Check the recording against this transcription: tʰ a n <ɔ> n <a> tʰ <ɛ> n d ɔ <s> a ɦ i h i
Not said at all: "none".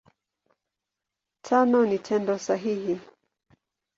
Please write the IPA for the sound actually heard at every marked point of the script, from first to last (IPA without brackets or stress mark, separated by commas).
ɔ, i, ɛ, s